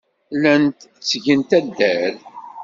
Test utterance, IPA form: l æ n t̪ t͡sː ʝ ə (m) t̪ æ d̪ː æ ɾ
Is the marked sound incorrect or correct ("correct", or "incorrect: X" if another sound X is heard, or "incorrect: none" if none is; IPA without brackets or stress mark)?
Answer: incorrect: n